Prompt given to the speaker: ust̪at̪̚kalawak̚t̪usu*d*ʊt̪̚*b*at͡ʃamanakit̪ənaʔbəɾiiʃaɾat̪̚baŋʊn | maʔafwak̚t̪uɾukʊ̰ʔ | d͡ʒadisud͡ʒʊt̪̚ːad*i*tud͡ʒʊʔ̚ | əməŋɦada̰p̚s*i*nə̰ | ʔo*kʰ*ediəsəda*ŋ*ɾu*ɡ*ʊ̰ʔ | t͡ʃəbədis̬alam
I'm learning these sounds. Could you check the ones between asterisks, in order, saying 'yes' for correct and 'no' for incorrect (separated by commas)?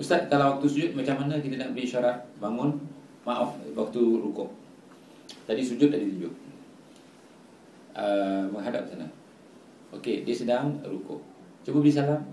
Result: no, no, yes, no, no, yes, no